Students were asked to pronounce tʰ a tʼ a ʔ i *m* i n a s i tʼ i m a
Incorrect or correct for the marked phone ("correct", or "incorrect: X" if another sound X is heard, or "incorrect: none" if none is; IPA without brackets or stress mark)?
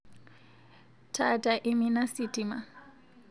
correct